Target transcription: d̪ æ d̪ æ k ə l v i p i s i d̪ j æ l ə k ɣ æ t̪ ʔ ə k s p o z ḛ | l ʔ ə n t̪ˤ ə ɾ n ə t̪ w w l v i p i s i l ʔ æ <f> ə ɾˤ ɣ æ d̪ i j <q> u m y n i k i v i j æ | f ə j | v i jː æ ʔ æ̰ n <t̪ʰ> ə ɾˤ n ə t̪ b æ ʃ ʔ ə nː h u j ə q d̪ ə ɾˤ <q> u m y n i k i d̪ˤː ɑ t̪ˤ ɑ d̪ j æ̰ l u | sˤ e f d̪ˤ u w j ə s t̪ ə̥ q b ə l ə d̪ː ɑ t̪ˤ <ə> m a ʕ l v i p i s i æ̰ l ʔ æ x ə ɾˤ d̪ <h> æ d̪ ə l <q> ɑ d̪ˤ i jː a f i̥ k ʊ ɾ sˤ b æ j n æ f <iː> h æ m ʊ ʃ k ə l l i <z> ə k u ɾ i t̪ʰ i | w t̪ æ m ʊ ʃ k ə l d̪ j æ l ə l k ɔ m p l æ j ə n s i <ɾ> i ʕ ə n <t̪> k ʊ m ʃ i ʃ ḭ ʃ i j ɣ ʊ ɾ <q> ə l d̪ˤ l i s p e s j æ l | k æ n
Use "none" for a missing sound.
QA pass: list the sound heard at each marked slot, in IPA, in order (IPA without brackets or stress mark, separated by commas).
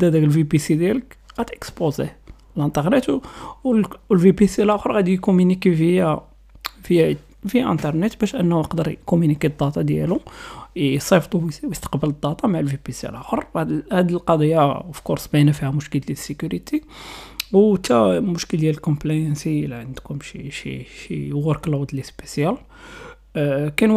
x, k, t̪, k, ɑ, h, q, i, s, l, d̪, k